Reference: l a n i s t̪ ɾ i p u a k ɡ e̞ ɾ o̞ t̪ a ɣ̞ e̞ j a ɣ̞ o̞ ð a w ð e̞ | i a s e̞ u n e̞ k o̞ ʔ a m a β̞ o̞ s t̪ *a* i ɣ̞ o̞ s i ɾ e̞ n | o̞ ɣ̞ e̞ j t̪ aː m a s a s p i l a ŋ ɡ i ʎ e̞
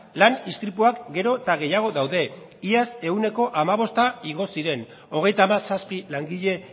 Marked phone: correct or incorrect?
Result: correct